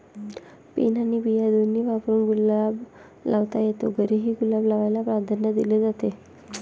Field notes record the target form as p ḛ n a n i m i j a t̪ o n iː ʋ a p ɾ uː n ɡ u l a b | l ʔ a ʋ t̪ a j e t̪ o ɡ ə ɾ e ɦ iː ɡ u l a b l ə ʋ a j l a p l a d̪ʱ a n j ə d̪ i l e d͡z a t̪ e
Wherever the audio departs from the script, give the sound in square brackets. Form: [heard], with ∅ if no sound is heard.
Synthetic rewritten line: p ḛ n a n i [b] i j a [d̪] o n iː ʋ a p ɾ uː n ɡ u l a b | l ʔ a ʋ t̪ a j e t̪ o ɡ ə ɾ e ɦ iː ɡ u l a b l [a] ʋ a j l a p [ɾ] a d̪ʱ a n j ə d̪ i l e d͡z a t̪ e